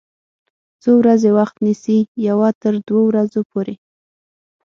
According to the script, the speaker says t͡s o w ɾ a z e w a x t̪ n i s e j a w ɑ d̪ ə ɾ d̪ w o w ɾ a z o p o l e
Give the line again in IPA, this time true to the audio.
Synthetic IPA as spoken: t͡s o w ɾ a z e w a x t̪ n i s i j a w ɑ t̪ ə ɾ d̪ w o w ɾ a z o p o ɾ e